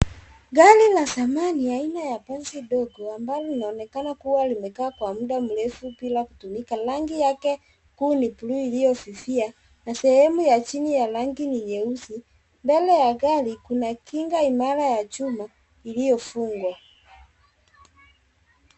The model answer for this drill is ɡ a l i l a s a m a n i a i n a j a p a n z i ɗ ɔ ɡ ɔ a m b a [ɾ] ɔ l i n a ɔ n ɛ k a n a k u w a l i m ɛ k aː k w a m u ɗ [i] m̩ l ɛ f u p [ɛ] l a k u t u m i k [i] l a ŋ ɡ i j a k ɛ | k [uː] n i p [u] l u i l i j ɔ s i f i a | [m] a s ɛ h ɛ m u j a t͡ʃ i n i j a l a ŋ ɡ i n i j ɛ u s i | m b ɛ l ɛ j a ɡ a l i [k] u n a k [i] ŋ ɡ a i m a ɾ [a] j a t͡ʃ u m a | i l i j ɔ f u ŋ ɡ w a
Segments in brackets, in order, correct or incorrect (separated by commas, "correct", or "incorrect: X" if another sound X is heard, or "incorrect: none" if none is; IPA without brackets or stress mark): incorrect: l, incorrect: a, incorrect: i, incorrect: a, correct, correct, incorrect: n, correct, correct, correct